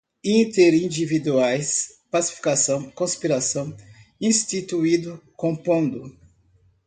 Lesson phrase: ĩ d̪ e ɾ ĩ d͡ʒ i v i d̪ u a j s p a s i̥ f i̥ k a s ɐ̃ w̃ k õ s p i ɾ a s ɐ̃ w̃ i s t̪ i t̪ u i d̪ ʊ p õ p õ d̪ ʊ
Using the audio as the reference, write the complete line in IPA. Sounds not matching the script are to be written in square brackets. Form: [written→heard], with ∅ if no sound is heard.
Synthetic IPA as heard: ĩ [d̪→t̪] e ɾ ĩ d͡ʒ i v i d̪ u a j s p a s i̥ f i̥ k a s ɐ̃ w̃ k õ s p i ɾ a s ɐ̃ w̃ [i→ĩ] s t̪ i t̪ u i d̪ ʊ [p→k] õ p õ d̪ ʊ